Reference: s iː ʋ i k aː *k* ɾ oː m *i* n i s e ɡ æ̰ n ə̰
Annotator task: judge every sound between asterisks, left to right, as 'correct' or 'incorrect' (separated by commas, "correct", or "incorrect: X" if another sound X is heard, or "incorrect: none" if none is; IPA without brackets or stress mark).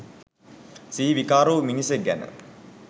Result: incorrect: none, correct